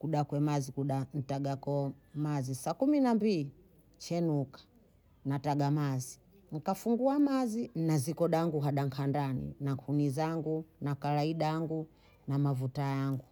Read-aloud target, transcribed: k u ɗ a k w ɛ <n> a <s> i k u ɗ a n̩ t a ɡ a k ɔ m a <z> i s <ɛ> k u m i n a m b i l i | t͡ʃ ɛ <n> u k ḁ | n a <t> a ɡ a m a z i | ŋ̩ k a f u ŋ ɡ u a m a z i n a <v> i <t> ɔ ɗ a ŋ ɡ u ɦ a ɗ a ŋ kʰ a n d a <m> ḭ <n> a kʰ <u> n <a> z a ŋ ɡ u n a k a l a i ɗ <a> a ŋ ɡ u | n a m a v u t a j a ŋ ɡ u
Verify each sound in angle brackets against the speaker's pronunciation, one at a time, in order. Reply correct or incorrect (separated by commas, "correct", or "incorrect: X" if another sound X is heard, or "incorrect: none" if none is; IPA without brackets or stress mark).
incorrect: m, incorrect: z, correct, incorrect: a, correct, correct, incorrect: z, incorrect: k, incorrect: n, correct, correct, incorrect: i, correct